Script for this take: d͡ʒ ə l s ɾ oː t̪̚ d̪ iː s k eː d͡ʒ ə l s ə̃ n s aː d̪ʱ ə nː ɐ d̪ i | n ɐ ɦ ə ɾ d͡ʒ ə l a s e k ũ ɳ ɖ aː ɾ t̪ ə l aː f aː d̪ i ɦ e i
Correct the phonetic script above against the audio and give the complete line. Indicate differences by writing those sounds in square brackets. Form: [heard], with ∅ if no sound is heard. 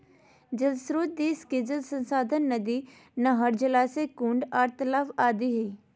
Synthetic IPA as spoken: d͡ʒ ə l s ɾ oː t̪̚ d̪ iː s k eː d͡ʒ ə l s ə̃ n s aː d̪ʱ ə nː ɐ d̪ i | n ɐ ɦ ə ɾ d͡ʒ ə l a s e k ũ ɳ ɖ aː ɾ t̪ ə l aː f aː d̪ i ɦ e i